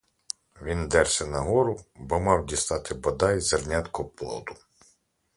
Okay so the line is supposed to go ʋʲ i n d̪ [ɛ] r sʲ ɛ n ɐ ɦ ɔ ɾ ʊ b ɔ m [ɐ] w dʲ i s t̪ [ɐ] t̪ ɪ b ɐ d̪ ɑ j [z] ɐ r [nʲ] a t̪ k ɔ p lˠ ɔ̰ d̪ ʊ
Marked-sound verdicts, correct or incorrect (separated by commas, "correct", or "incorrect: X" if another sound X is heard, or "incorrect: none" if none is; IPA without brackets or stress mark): correct, incorrect: ɑ, incorrect: ɑ, correct, correct